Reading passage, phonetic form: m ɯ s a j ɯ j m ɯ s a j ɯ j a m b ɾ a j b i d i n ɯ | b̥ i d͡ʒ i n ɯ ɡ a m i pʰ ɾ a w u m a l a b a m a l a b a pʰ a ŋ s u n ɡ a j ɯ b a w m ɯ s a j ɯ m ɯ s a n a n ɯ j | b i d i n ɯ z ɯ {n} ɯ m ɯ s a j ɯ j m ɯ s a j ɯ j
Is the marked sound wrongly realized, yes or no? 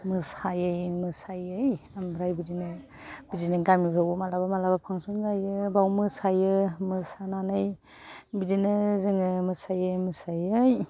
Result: yes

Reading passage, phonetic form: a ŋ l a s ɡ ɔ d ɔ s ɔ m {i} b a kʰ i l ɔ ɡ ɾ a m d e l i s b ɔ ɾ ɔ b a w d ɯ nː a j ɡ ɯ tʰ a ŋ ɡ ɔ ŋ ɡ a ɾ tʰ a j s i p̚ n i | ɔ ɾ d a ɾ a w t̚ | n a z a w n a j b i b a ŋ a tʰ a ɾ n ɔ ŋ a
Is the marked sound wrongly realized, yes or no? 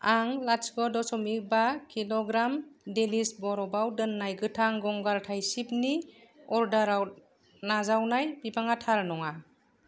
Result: no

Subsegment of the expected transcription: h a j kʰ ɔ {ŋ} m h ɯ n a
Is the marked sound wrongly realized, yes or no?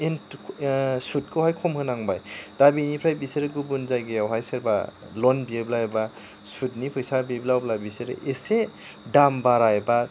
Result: yes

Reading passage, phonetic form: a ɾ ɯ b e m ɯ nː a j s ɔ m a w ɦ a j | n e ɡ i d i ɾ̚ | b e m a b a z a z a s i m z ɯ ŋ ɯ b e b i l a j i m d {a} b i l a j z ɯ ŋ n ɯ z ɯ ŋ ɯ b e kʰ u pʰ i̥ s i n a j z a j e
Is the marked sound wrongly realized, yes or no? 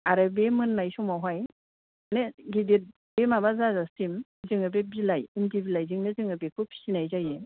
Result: yes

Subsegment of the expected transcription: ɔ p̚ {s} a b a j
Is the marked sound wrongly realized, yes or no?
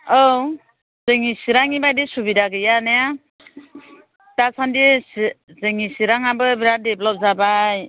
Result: yes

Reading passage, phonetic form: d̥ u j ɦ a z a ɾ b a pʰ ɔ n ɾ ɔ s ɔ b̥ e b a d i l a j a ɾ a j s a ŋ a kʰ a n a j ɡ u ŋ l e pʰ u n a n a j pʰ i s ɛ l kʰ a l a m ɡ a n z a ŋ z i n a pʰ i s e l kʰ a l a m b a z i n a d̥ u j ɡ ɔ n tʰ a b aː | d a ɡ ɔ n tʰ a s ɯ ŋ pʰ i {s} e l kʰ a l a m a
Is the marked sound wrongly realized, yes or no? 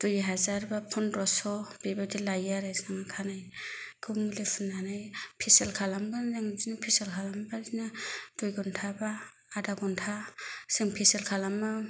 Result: no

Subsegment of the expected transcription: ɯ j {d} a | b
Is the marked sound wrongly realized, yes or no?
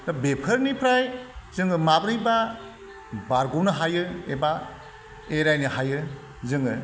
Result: yes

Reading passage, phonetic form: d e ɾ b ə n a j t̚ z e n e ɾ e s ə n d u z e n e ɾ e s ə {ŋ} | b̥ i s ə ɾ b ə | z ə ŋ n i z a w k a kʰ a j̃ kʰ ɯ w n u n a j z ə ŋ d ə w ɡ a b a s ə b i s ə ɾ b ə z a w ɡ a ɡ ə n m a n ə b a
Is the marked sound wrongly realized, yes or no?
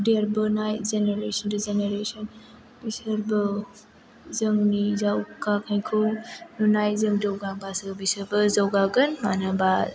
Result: yes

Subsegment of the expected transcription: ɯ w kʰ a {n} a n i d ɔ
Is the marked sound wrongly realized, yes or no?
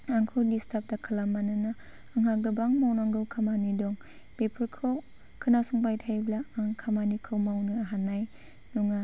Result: yes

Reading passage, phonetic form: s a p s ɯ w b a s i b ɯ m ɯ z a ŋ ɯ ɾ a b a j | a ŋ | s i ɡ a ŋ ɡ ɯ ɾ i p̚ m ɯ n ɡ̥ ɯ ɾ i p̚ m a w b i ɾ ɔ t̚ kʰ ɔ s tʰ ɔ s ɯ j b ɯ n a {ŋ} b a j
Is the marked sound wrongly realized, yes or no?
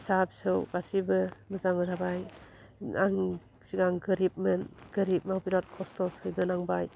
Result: no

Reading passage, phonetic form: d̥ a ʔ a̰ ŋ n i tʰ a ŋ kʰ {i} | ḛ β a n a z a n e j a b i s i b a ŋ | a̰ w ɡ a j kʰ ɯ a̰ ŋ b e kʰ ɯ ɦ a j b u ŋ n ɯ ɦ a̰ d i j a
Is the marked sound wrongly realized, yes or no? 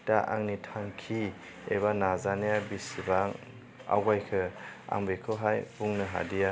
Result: no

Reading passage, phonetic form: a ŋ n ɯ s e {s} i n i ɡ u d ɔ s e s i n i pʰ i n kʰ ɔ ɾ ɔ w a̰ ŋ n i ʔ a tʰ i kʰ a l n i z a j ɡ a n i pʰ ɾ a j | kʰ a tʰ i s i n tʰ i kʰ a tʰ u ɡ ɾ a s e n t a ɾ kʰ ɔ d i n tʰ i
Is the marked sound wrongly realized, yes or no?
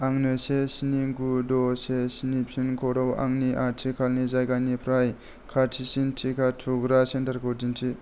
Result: no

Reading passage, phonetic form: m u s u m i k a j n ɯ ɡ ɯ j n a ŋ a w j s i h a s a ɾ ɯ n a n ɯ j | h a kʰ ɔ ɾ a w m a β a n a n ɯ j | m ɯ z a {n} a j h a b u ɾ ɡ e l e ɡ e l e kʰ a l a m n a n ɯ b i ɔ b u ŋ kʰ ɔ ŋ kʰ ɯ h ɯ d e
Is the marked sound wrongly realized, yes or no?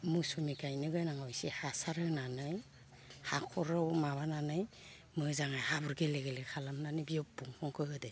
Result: yes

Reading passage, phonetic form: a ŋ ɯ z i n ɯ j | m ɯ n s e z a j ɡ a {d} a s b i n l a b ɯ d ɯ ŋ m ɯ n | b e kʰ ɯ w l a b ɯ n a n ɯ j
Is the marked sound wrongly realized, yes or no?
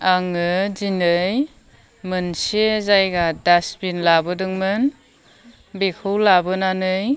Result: no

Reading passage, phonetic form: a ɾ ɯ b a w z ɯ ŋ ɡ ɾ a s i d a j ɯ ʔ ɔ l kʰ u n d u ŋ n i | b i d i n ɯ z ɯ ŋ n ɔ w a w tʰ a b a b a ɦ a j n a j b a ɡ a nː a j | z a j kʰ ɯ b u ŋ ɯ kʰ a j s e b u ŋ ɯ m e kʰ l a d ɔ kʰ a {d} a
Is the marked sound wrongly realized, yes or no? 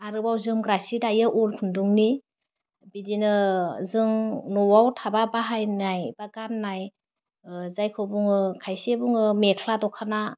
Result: yes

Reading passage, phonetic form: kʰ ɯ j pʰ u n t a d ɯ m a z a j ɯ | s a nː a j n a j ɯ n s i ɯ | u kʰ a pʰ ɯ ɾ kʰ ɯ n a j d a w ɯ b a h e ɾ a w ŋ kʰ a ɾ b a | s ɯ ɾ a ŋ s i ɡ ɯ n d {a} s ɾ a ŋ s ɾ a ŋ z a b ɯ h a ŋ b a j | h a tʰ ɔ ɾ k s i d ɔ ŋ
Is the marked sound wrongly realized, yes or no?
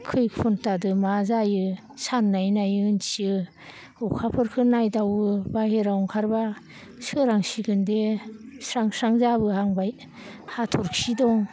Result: yes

